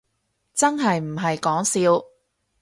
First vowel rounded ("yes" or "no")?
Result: no